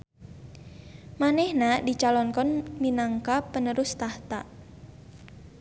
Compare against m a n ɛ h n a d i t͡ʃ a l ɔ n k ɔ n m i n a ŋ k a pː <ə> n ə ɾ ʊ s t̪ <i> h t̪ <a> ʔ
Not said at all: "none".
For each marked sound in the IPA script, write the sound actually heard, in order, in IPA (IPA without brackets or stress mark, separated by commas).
ə, a, a